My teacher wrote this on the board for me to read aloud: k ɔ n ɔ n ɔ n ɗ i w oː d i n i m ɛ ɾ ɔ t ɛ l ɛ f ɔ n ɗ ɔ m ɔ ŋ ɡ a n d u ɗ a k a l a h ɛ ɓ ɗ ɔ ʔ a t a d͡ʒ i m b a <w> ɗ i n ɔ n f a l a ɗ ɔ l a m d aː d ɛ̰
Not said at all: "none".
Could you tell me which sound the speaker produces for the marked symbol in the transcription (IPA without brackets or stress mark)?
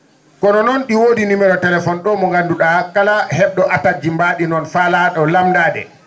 none